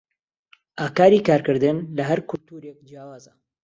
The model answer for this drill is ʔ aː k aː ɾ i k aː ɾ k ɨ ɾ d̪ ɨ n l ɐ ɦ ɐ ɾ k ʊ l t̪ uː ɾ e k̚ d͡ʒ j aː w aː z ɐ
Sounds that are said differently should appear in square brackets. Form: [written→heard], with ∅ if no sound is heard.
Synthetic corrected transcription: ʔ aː k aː ɾ i k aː ɾ k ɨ ɾ d̪ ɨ n l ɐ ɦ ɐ ɾ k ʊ l t̪ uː ɾ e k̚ d͡ʒ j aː w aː z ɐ